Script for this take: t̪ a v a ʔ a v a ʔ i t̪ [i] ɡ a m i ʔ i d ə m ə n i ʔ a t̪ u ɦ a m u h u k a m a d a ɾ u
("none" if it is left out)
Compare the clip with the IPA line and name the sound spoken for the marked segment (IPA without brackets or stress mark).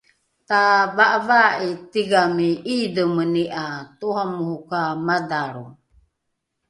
i